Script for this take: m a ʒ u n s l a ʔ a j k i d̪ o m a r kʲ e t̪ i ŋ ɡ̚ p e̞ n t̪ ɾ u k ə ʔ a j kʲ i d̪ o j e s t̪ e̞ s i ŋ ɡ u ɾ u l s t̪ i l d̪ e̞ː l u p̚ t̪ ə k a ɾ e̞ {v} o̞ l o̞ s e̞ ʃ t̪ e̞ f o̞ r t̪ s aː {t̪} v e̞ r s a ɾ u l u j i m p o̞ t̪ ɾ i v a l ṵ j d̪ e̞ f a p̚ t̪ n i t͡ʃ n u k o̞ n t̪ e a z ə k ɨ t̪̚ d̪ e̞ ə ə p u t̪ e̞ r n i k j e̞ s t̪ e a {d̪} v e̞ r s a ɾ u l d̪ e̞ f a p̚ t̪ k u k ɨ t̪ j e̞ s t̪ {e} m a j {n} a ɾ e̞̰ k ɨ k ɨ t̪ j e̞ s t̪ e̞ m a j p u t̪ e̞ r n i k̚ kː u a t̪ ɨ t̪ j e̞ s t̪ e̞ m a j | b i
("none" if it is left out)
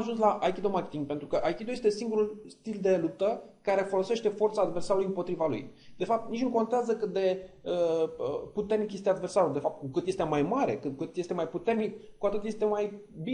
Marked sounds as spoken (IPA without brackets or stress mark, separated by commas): f, d̪, d̪, e, m